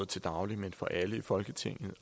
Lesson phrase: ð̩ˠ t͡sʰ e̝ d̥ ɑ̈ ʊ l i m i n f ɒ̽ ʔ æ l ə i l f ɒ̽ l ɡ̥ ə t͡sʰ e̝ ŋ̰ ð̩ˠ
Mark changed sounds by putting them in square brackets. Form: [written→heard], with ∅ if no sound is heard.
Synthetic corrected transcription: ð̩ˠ t͡sʰ e̝ d̥ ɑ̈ ʊ l i m [i→e] n f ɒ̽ ʔ æ l ə i [l→∅] f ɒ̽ l ɡ̥ ə t͡sʰ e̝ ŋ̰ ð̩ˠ